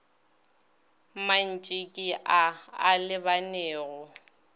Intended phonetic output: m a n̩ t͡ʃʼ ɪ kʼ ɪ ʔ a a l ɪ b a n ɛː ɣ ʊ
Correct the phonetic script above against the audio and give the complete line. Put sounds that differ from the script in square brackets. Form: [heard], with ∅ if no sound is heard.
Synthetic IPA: m a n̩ t͡ʃʼ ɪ kʼ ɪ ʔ a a l ɪ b a n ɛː ɣ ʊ